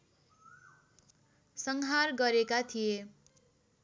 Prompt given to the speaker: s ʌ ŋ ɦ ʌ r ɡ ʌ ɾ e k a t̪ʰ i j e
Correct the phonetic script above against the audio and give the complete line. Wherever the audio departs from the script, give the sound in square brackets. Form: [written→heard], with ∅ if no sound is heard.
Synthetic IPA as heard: s ʌ ŋ ɦ [ʌ→a] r ɡ ʌ ɾ e k a t̪ʰ i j e